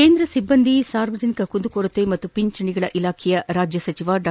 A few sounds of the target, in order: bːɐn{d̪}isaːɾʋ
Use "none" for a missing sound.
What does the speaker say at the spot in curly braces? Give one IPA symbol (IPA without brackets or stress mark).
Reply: d̪